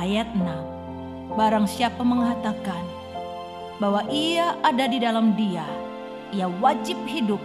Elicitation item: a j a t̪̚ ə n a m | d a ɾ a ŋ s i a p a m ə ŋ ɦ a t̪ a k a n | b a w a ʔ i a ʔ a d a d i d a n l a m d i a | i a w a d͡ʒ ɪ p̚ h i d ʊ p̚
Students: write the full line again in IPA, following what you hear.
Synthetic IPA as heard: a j a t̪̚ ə n a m | b a ɾ a ŋ s i a p a m ə ŋ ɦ a t̪ a k a n | b a w a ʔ i a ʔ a d a d i d a l a m d i a | i a w a d͡ʒ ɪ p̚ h i d ʊ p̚